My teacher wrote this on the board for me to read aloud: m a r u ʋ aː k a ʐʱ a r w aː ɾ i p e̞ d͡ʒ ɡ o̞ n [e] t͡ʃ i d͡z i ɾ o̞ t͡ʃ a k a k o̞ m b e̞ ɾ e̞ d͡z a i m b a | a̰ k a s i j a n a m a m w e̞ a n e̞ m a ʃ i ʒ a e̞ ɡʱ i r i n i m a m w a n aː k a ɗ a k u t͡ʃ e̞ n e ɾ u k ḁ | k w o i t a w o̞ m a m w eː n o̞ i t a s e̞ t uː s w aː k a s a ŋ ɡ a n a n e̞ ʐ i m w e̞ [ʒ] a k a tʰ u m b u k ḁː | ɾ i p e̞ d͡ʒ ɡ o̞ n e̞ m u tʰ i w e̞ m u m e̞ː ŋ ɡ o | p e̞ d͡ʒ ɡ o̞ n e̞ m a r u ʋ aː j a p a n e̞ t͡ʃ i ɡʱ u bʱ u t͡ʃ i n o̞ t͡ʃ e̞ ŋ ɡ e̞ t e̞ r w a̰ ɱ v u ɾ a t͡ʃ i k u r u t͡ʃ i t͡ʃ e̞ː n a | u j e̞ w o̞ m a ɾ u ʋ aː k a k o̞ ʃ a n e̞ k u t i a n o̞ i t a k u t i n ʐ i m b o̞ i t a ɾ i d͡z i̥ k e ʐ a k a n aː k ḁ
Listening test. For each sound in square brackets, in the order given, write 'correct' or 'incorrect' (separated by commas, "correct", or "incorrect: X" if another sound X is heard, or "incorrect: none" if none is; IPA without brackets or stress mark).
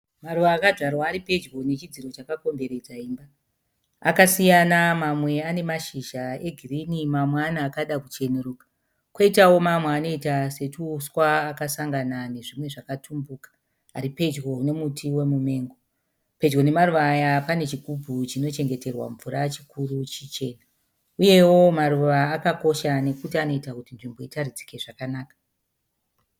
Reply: correct, incorrect: ʐ